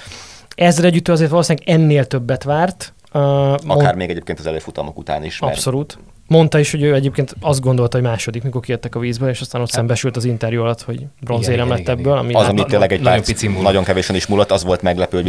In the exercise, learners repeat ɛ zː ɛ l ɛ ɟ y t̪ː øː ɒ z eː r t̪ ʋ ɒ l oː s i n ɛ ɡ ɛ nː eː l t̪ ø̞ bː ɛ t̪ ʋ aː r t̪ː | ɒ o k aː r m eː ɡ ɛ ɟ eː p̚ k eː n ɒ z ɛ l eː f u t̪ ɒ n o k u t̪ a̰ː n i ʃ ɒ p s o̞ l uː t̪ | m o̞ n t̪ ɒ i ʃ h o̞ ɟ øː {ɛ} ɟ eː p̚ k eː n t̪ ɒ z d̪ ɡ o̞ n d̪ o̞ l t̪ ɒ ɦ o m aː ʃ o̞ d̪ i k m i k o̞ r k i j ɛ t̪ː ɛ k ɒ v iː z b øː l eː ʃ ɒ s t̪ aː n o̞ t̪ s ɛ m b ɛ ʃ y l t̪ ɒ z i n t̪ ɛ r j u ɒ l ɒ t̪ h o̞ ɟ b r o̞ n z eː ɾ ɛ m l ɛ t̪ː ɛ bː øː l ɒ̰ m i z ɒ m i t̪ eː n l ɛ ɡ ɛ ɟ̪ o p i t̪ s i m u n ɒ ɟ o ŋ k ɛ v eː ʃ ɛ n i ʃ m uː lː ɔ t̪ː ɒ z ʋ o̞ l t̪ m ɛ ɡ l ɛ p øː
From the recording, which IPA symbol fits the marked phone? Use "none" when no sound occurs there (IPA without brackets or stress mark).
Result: ɛ